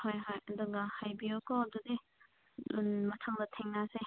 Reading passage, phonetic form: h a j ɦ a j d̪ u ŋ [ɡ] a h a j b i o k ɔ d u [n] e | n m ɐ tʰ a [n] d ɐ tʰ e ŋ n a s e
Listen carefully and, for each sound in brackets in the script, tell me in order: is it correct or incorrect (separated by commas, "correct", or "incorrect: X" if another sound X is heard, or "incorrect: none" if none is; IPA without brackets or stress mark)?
correct, incorrect: d, incorrect: ŋ